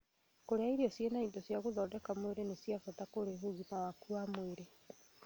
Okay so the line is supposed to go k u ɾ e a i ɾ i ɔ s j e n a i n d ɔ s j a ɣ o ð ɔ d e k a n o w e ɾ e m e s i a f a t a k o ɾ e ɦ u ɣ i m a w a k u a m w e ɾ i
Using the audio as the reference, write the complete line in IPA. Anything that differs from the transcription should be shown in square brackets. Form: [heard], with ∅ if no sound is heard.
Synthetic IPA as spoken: k [o] ɾ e a i ɾ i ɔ s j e n a i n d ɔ s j a ɣ o ð ɔ d [ɛ] k a [m] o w e ɾ e [n] e s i a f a t a k o ɾ e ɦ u ɣ i m a w a k u a m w e ɾ [e]